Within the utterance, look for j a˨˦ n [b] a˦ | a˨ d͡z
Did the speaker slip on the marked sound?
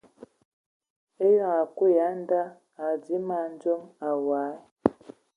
yes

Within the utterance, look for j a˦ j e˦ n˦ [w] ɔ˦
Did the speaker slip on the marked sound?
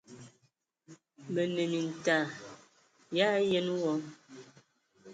no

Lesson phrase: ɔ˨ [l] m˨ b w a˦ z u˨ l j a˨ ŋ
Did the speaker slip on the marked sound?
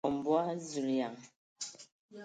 yes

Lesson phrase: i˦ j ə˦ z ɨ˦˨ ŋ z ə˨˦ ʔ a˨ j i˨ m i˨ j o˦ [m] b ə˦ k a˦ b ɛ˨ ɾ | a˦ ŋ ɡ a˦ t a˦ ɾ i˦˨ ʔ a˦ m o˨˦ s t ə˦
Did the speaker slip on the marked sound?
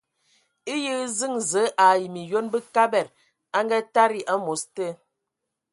yes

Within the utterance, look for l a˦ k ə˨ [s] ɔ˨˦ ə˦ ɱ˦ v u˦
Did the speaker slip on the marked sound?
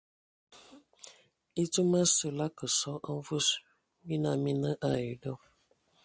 no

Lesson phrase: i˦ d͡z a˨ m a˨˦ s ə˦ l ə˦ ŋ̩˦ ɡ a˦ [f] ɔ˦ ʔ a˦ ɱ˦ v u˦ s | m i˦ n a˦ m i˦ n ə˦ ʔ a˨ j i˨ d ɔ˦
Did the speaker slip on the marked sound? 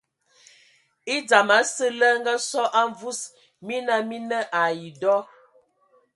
yes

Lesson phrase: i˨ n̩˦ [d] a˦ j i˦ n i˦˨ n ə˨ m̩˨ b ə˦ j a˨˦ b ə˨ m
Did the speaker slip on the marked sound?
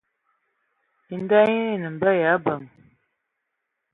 no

